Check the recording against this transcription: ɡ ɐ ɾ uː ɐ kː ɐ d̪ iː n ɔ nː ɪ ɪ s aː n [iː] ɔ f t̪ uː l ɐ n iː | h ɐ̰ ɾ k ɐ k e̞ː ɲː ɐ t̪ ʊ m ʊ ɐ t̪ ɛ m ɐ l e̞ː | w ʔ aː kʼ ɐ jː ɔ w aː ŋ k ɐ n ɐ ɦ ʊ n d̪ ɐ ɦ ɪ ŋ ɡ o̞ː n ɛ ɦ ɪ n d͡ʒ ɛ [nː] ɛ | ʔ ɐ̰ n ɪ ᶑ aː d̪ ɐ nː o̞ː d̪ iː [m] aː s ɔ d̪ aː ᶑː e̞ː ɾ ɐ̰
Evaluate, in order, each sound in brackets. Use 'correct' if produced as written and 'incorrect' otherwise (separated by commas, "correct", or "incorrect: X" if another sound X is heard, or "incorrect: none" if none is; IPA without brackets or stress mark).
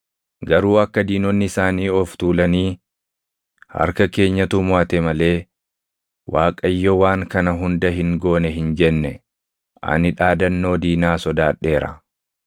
correct, correct, incorrect: n